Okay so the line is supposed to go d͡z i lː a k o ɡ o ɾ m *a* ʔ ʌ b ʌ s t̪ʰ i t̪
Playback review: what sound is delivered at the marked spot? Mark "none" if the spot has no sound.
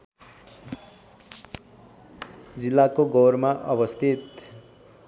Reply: a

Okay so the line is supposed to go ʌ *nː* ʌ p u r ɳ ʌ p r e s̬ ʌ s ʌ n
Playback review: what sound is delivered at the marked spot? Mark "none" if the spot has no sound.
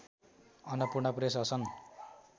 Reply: n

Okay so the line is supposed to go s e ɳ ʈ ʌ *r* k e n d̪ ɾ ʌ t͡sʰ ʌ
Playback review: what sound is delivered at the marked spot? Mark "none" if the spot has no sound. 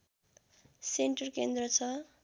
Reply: r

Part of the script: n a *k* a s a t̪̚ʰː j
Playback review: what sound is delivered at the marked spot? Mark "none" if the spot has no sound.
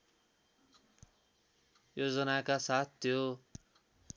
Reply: k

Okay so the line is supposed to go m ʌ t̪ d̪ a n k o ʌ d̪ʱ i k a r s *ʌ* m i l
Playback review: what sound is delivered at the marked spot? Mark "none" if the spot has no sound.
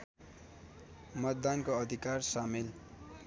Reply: a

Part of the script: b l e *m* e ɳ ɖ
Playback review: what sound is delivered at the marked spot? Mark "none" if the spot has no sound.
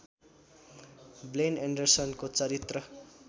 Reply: n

